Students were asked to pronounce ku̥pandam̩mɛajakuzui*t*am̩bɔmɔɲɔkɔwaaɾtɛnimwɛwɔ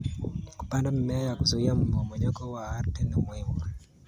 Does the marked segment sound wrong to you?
yes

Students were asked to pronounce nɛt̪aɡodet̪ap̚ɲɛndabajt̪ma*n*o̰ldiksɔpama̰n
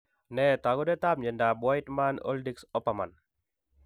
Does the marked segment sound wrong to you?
no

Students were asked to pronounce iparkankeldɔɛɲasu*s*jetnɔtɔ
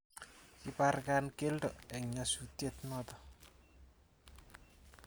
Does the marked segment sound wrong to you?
yes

